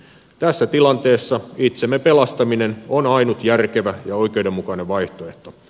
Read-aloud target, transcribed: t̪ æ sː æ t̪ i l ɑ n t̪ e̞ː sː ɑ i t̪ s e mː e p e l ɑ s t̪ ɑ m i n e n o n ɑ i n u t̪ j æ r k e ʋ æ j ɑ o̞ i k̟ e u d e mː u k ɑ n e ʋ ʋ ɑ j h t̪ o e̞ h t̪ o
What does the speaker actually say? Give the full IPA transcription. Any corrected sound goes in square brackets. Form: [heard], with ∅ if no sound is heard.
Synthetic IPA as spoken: t̪ æ sː æ t̪ i l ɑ n t̪ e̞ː sː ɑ i t̪ s e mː e p e l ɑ s t̪ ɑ m i n e n o n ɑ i n u t̪ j æ r k e ʋ æ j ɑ o̞ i k̟ e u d e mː u k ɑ n e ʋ ʋ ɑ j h t̪ o e̞ h t̪ o